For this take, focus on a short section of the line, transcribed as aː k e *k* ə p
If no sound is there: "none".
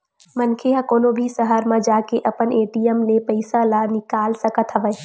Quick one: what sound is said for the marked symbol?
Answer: ʔ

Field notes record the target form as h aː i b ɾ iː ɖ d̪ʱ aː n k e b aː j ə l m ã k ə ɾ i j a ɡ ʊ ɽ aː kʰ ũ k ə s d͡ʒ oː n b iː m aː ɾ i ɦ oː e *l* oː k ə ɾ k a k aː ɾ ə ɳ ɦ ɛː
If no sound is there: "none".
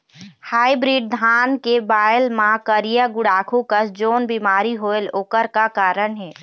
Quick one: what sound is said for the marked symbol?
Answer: l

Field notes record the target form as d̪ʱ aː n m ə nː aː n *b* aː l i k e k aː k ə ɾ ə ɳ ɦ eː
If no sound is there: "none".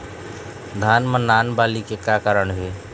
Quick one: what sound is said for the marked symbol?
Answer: b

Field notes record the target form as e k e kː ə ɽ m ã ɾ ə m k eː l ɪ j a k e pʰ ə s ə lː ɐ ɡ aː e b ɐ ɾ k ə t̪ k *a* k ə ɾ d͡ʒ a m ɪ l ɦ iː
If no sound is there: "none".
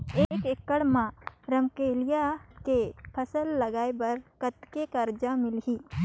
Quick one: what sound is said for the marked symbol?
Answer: e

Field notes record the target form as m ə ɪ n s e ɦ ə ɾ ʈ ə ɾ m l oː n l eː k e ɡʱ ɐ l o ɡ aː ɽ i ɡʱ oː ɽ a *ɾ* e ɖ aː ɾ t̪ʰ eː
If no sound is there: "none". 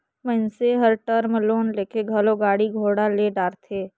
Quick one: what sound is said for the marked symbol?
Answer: l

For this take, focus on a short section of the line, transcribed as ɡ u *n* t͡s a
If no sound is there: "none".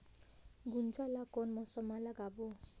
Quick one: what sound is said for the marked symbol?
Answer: n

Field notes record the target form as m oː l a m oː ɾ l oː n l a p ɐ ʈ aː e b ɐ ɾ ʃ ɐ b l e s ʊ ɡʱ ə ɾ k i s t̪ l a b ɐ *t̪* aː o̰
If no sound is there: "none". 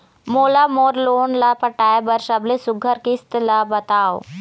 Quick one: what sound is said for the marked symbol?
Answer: t̪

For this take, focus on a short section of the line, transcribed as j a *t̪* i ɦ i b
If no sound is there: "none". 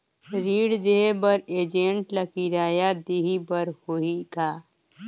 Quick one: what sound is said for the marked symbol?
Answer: d̪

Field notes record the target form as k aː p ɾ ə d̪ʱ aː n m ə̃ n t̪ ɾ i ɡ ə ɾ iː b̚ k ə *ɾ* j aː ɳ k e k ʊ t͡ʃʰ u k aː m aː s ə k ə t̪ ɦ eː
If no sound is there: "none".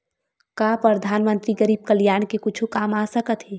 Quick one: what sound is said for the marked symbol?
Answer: l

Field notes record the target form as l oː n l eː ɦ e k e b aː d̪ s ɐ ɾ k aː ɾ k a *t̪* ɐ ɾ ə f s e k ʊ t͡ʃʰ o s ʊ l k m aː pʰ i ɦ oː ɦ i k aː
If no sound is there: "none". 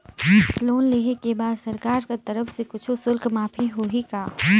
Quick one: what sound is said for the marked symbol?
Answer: t̪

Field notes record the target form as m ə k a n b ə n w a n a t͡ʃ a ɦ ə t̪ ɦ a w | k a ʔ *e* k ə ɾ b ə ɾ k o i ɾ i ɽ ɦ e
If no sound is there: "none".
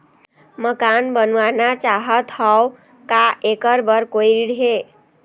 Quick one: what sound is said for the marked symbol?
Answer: e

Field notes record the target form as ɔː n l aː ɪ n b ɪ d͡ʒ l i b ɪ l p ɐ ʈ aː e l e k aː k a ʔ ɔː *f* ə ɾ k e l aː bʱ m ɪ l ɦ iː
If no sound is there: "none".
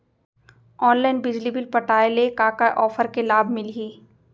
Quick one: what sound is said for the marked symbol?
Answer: f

